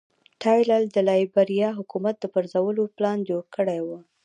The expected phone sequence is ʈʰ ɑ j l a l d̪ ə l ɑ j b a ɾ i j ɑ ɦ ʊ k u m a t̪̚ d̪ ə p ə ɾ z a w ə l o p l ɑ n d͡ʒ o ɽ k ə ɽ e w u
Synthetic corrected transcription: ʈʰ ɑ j l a l d̪ ə l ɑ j b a ɾ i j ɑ ɦ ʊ k u m a t̪̚ d̪ ə p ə ɾ z a w ə l o p l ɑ n d͡ʒ o ɽ k ə ɽ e w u